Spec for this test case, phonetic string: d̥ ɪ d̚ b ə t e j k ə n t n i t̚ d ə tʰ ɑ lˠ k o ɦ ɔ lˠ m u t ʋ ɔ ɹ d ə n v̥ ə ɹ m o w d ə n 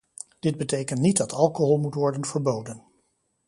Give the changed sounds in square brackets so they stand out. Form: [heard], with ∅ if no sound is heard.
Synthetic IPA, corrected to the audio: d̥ ɪ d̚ b ə t e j k ə n t n i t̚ d [ɑ] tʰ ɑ lˠ k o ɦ ɔ lˠ m u t ʋ ɔ ɹ d ə n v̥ ə ɹ [b] o w d ə n